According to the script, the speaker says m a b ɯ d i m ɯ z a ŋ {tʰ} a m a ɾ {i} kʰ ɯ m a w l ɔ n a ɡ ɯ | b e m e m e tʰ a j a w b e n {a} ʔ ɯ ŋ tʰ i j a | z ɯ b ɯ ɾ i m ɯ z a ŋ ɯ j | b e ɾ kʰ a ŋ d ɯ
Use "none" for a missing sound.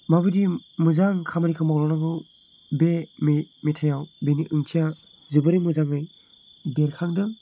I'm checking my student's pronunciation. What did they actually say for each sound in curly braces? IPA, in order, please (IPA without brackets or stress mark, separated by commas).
kʰ, i, i